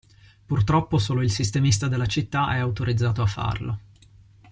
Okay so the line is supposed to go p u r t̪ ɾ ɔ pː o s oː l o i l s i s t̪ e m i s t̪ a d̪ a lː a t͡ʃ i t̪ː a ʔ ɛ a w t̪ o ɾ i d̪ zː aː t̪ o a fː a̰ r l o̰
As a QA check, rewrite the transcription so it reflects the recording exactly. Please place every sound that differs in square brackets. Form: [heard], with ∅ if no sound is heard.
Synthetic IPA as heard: p u r t̪ ɾ ɔ pː o s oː l o i l s i s t̪ e m i s t̪ a d̪ [e] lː a t͡ʃ i t̪ː a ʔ ɛ a w t̪ o ɾ i d̪ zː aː t̪ o a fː a̰ r l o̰